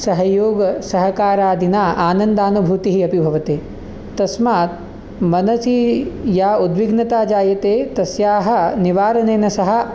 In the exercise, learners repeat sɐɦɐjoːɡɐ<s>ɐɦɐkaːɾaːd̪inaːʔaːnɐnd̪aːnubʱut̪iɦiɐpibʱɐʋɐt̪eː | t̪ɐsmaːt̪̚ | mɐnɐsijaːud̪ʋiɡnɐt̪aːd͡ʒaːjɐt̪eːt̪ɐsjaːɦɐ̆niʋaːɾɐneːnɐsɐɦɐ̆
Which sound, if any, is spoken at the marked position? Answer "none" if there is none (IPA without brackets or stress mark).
s